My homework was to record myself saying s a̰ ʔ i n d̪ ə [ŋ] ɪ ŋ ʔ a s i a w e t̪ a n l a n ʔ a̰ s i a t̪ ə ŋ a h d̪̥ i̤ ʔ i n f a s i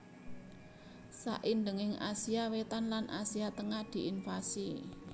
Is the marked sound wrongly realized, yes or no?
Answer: no